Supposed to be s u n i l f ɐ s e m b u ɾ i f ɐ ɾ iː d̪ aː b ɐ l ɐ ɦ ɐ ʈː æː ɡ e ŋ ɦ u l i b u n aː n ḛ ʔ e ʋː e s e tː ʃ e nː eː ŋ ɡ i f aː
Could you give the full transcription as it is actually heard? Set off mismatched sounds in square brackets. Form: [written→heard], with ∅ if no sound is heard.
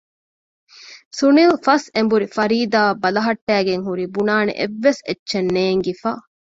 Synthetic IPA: s u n i l f ɐ s e m b u ɾ i f ɐ ɾ iː d̪ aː b ɐ l ɐ ɦ ɐ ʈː æː ɡ e ŋ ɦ u [l→ɾ] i b u n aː n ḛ ʔ e ʋː e s e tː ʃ e nː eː ŋ ɡ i f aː